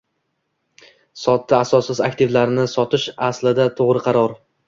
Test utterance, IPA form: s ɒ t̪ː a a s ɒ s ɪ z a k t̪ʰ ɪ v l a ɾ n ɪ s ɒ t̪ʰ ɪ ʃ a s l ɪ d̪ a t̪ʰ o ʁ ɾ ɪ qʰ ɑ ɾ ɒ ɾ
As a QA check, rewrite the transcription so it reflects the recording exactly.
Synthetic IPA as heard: s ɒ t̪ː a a s ɒ s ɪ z a k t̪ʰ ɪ v l a ɾ n ɪ s ɒ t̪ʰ ɪ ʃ a s l ɪ d̪ a t̪ʰ o ʁ ɾ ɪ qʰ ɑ ɾ ɒ ɾ